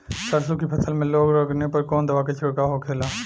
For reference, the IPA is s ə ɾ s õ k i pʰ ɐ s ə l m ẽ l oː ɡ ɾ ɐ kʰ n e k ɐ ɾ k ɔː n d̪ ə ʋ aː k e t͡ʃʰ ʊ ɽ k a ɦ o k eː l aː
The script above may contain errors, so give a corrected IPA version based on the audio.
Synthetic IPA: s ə ɾ s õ k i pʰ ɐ s ə l m ẽ l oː ɡ ɾ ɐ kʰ n e p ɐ ɾ k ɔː n d̪ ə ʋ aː k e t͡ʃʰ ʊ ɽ k a ɦ o kʰ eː l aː